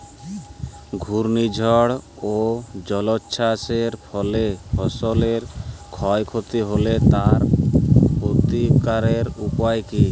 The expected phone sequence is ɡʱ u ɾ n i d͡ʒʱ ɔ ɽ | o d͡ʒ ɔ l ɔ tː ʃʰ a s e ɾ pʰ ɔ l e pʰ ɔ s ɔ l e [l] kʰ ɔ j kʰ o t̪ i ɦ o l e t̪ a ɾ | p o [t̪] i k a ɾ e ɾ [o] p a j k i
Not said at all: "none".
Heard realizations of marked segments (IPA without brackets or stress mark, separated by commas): ɾ, t̪, u